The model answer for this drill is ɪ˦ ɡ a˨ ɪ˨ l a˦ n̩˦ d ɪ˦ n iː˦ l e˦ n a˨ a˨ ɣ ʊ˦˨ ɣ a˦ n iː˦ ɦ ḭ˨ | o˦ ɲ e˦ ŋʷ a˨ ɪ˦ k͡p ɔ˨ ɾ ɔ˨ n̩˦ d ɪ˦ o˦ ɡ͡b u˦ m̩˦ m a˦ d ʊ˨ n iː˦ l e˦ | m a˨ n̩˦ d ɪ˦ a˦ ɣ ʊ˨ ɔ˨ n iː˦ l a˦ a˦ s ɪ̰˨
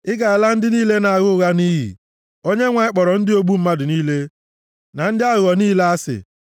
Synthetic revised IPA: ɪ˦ ɡ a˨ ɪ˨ l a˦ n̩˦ d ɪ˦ n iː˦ l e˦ n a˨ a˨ ɣ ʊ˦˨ ɣ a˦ n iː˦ ɦ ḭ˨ | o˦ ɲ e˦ ŋʷ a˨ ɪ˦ k͡p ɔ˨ ɾ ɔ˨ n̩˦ d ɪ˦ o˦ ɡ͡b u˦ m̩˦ m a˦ d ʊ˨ n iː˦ l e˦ | n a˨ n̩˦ d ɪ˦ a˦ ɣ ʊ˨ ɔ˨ n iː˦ l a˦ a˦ s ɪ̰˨

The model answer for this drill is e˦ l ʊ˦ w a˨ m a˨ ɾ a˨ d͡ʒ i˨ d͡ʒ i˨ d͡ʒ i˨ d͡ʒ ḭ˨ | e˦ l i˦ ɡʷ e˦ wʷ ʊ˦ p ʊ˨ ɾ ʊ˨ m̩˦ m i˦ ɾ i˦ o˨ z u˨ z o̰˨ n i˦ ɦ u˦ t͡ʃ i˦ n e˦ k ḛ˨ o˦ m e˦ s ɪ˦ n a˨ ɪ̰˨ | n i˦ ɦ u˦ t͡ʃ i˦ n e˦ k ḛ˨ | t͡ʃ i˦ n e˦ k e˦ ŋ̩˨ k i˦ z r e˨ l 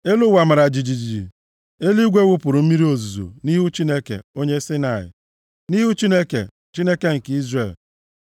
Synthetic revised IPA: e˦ l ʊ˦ w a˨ m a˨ ɾ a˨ d͡ʒ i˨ d͡ʒ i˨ d͡ʒ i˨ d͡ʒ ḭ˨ | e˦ l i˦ ɡʷ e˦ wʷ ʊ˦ p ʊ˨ ɾ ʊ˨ m̩˦ m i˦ ɾ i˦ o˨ z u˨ z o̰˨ n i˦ ɦ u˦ t͡ʃ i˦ n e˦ k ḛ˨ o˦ ɲ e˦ s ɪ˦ n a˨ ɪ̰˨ | n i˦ ɦ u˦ t͡ʃ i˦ n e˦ k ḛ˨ | t͡ʃ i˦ n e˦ k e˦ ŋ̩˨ k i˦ z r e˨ l

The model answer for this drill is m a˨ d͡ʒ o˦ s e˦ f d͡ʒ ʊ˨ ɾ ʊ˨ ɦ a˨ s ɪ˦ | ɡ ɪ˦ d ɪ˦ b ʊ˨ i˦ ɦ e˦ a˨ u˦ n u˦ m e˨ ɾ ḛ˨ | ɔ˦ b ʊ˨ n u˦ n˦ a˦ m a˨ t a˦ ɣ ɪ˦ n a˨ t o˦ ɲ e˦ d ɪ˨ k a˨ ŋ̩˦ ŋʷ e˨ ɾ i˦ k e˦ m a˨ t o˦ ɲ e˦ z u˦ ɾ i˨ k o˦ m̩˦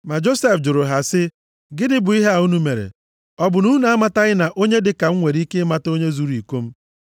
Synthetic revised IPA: m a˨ d͡ʒ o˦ s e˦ f d͡ʒ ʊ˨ ɾ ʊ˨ ɦ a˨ s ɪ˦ | ɡ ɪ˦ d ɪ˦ b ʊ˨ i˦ ɦ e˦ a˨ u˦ n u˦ m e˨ ɾ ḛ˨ | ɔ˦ b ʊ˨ n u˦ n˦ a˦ m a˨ t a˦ ɣ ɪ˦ n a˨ ʔ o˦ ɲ e˦ d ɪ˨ k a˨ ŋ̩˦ ŋʷ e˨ ɾ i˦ k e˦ m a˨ t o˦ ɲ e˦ z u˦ ɾ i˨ k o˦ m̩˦

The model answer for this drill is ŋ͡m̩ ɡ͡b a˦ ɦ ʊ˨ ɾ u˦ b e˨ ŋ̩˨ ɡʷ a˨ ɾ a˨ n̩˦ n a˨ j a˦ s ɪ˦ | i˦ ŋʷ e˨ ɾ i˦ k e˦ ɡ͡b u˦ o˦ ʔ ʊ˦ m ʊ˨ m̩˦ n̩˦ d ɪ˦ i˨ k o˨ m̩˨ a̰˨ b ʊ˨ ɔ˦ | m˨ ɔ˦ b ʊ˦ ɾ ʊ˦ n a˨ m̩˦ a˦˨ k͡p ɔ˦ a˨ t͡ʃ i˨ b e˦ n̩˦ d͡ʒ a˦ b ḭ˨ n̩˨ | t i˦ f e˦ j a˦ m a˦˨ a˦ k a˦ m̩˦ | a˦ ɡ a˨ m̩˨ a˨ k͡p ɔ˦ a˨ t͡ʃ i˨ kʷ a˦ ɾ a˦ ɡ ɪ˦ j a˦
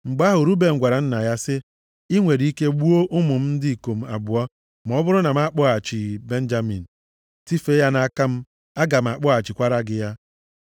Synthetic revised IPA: ŋ͡m̩ ɡ͡b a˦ ɦ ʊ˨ ɾ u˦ b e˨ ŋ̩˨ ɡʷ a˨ ɾ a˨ n̩˦ n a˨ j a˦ s ɪ˦ | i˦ ŋʷ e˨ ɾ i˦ k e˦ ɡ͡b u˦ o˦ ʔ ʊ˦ m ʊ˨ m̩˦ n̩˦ d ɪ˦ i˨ k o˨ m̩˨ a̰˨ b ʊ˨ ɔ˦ | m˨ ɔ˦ b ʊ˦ ɾ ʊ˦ n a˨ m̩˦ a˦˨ k͡p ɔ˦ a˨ t͡ʃ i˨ b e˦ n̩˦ d͡ʒ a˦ m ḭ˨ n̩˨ | t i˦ f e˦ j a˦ n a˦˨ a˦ k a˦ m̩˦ | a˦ ɡ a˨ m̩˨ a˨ k͡p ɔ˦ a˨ t͡ʃ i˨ kʷ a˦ ɾ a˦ ɡ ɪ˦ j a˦

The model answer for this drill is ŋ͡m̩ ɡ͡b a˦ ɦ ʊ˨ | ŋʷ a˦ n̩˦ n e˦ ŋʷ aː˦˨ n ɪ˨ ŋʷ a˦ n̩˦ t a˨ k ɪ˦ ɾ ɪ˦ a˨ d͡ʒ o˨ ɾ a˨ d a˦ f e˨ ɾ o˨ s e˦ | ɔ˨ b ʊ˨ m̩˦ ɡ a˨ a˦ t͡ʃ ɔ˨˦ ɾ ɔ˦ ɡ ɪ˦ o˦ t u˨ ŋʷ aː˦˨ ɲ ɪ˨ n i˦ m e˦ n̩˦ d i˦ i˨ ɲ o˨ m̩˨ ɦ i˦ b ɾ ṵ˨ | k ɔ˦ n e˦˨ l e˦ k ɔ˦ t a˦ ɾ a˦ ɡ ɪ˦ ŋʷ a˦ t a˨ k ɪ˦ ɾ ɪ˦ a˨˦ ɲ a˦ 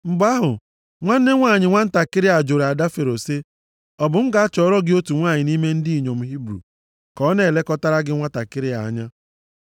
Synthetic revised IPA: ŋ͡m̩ ɡ͡b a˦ ɦ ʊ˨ | ŋʷ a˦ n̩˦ n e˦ ŋʷ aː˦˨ ɲ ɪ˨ ŋʷ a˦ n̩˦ t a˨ k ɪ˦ ɾ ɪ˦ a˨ d͡ʒ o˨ ɾ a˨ d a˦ f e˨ ɾ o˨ s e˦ | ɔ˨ b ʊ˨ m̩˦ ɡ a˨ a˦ t͡ʃ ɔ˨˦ ɾ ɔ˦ ɡ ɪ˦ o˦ t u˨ ŋʷ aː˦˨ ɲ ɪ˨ n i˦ m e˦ n̩˦ d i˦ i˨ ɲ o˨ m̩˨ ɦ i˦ b ɾ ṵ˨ | k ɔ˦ n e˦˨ l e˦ k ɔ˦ t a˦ ɾ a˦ ɡ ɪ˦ ŋʷ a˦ t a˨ k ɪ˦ ɾ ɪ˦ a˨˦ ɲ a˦

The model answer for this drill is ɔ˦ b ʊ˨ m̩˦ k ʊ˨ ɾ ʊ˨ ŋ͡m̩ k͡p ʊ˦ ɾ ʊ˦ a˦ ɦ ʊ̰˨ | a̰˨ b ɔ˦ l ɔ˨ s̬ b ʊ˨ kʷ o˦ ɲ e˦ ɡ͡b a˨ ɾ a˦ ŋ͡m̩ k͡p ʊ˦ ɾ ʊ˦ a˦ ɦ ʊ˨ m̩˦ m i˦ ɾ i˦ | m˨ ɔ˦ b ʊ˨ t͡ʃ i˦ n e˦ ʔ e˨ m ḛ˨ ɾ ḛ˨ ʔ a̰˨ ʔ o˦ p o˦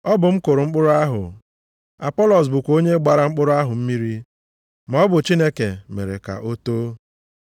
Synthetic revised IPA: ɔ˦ b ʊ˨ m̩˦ k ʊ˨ ɾ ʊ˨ ŋ͡m̩ k͡p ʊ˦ ɾ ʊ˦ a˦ ɦ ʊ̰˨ | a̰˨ p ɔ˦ l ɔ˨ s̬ b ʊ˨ kʷ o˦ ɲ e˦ ɡ͡b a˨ ɾ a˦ ŋ͡m̩ k͡p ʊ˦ ɾ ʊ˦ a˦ ɦ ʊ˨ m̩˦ m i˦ ɾ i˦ | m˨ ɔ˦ b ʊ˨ t͡ʃ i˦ n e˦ k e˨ m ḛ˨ ɾ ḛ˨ k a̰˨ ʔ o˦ t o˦

